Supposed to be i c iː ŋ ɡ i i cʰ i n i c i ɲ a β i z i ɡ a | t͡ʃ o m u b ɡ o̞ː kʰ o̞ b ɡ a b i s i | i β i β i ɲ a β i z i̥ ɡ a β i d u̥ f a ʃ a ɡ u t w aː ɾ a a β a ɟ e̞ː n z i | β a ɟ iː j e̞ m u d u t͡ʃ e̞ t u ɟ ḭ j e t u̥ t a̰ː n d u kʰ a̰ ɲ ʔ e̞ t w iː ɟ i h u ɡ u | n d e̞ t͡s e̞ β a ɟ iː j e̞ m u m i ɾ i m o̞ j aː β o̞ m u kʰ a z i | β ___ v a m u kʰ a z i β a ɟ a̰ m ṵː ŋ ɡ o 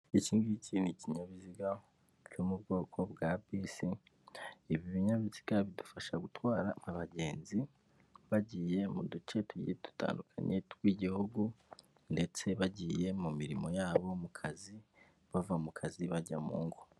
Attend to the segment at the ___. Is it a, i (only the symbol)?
a